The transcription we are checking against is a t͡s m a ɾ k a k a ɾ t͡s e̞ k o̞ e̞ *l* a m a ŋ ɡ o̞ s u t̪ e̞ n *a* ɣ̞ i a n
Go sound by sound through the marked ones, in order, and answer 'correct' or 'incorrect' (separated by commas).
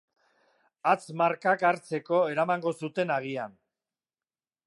incorrect, correct